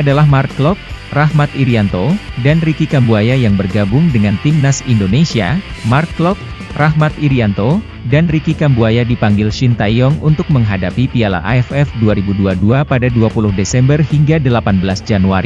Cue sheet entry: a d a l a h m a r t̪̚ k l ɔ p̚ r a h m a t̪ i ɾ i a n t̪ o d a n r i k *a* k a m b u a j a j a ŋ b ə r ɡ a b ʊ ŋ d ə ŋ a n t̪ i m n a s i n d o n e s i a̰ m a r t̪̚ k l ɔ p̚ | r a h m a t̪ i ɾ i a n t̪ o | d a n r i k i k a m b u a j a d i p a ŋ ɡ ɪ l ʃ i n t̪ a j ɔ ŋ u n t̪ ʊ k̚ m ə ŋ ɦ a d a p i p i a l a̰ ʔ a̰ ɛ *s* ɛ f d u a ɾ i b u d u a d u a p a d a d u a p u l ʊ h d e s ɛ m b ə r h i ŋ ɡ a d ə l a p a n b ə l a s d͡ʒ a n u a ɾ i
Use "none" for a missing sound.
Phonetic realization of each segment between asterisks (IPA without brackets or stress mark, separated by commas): i, f